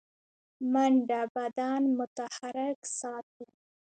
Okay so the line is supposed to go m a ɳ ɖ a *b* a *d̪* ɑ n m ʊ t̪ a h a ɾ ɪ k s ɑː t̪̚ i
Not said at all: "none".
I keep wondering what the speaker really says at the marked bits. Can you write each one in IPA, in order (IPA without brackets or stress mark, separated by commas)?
b, d̪